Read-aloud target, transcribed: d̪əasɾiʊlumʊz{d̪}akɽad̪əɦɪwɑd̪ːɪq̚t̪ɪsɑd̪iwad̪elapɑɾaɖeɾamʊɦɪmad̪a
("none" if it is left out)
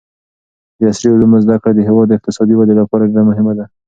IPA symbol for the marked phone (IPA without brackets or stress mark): d̪